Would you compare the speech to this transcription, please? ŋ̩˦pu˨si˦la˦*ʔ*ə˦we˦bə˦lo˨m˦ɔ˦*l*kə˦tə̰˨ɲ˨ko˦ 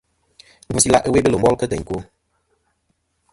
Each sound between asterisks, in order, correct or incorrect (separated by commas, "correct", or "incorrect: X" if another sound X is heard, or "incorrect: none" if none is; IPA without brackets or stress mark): correct, correct